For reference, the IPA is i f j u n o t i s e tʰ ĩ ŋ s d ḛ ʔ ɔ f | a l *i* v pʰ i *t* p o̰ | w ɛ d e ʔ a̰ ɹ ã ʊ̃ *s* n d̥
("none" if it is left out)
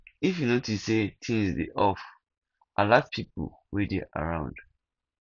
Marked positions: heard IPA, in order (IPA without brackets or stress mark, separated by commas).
a, none, none